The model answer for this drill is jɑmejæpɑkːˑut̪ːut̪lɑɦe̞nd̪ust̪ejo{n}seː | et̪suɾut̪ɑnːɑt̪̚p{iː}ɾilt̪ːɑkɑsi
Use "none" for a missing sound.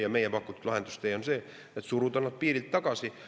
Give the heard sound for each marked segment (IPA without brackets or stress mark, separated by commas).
n, iː